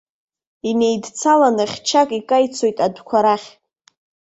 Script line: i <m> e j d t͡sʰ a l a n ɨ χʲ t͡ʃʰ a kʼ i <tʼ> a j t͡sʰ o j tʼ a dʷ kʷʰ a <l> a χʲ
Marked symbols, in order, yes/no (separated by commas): no, no, no